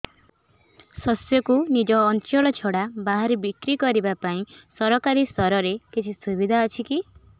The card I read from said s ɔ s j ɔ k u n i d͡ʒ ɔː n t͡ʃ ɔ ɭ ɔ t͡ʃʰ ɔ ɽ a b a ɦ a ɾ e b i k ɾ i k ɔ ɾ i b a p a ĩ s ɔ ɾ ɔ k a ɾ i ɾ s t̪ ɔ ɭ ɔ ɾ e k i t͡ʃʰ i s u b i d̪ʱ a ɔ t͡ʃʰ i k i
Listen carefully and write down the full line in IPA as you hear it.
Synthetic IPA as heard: s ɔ s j ɔ k u n i d͡ʒ ɔː n t͡ʃ ɔ ɭ ɔ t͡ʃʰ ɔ ɽ a b a ɦ a ɾ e b i k ɾ i k ɔ ɾ i b a p a ĩ s ɔ ɾ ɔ k a ɾ i s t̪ ɔ ɾ ɔ ɾ e k i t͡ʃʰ i s u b i d̪ʱ a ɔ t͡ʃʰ i k i

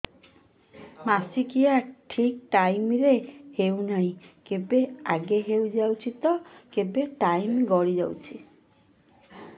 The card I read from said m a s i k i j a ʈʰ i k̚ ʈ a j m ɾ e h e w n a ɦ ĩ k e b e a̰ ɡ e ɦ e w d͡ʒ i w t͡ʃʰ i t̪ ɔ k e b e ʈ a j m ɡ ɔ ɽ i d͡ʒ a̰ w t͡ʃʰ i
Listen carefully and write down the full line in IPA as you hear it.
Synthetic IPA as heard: m a s i k i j a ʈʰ i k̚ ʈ a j m ɾ e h e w n a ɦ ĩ k e b e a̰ ɡ e ɦ e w d͡ʒ a w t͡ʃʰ i t̪ ɔ k e b e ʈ a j m ɡ ɔ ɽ i d͡ʒ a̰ w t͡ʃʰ i

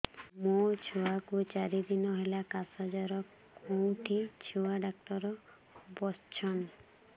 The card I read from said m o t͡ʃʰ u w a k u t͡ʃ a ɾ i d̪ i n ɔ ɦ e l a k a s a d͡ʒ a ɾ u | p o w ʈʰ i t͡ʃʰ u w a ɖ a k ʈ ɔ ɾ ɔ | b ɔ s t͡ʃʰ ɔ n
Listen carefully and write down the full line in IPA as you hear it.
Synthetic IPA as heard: m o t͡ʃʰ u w a k u t͡ʃ a ɾ i d̪ i n ɔ ɦ e l a k a s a d͡ʒ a ɾ ɔ | k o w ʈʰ i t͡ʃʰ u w a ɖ a k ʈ ɔ ɾ ɔ | b ɔ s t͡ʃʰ ɔ n

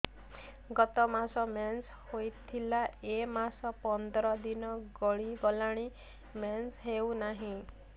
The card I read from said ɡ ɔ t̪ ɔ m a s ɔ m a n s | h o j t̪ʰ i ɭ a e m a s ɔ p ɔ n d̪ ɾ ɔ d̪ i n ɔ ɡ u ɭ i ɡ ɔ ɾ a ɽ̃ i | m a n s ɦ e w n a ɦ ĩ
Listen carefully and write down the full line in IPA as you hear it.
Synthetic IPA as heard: ɡ ɔ t̪ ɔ m a s ɔ m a n s | h o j t̪ʰ i l a e m a s ɔ p ɔ n d̪ ɾ ɔ d̪ i n ɔ ɡ ɔ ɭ i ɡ ɔ l a ɽ̃ i | m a n s ɦ e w n a ɦ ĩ

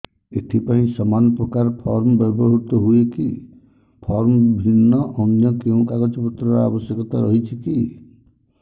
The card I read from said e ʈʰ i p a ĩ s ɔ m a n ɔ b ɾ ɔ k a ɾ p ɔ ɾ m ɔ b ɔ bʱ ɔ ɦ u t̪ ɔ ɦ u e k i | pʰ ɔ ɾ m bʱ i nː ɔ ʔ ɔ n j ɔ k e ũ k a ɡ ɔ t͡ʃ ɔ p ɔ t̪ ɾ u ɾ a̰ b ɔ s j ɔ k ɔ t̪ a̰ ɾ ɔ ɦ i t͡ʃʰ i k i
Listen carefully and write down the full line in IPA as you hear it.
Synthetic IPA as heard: e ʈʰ i p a ĩ s ɔ m a n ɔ p ɾ ɔ k a ɾ pʰ ɔ ɾ m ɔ b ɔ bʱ ɔ ɦ u t̪ ɔ ɦ u e k i | pʰ ɔ ɾ m bʱ i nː ɔ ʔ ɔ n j ɔ k e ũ k a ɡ ɔ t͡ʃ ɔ p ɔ t̪ ɾ ɔ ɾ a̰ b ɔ s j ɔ k ɔ t̪ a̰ ɾ ɔ ɦ i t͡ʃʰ i k i

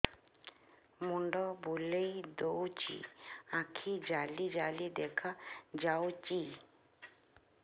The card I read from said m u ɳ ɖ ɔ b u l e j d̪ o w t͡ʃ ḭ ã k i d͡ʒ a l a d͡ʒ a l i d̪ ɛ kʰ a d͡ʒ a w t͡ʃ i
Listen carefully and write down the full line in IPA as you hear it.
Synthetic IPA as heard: m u ɳ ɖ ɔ b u l e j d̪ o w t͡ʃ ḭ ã kʰ i d͡ʒ a l i d͡ʒ a l i d̪ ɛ kʰ a d͡ʒ a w t͡ʃ i

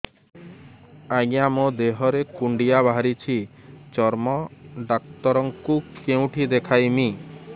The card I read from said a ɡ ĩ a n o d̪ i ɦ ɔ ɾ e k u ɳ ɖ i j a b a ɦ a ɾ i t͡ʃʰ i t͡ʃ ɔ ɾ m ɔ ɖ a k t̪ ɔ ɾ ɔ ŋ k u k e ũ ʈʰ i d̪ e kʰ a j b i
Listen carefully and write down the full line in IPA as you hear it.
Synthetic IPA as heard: a ɡ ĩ a m o d̪ e ɦ ɔ ɾ e k u ɳ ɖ i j a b a ɦ a ɾ i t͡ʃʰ i t͡ʃ ɔ ɾ m ɔ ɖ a k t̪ ɔ ɾ ɔ ŋ k u k e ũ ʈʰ i d̪ e kʰ a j m i

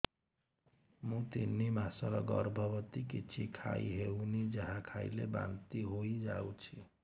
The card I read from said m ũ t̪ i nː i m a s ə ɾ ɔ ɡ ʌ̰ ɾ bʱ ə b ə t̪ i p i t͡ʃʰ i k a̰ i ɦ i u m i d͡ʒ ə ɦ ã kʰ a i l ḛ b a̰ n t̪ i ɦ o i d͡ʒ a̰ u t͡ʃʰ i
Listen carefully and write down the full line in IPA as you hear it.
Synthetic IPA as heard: m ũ t̪ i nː i m a s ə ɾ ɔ ɡ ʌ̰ ɾ bʱ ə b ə t̪ i k i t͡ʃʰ i kʰ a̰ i ɦ e u n i d͡ʒ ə ɦ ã kʰ a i l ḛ b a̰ n t̪ i ɦ o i d͡ʒ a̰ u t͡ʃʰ i

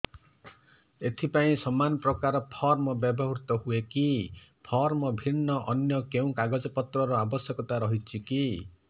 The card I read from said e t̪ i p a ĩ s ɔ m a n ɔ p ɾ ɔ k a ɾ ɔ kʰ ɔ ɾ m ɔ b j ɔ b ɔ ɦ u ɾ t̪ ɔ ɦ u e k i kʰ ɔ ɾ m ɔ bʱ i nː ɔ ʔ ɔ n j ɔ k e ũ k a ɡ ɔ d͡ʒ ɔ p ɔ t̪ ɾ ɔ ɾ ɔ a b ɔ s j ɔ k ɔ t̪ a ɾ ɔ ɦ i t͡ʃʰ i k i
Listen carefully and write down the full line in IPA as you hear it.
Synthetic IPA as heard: e t̪ʰ i p a ĩ s ɔ m a n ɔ p ɾ ɔ k a ɾ ɔ pʰ ɔ ɾ m ɔ b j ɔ b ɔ ɦ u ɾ t̪ ɔ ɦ u e k i pʰ ɔ ɾ m ɔ bʱ i nː ɔ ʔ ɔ n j ɔ k e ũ k a ɡ ɔ d͡ʒ ɔ p ɔ t̪ ɾ ɔ ɾ ɔ a b ɔ s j ɔ k ɔ t̪ a ɾ ɔ ɦ i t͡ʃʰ i k i

